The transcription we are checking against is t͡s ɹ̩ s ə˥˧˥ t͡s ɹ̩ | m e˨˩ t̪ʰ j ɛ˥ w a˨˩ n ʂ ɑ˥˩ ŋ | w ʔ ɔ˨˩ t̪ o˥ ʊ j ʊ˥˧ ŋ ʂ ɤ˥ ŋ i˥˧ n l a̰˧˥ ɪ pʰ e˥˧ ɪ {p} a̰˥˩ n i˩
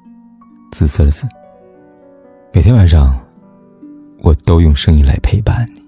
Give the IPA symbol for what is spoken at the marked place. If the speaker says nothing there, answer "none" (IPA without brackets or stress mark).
p